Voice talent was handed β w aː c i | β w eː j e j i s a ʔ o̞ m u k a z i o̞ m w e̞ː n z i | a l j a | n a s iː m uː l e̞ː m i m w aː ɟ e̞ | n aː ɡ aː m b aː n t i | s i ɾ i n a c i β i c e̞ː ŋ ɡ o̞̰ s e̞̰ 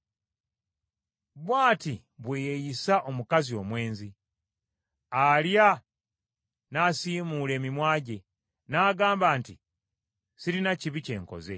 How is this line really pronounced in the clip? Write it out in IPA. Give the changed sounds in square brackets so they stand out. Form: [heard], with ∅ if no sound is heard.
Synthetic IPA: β w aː [t] i | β w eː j e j i s a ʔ o̞ m u k a z i o̞ m w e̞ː n z i | a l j a | n a s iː m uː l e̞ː m i m w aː ɟ e̞ | n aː ɡ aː m b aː n t i | s i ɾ i n a c i β i c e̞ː ŋ [k] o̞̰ [z] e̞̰